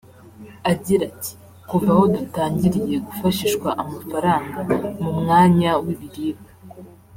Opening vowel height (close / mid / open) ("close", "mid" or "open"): open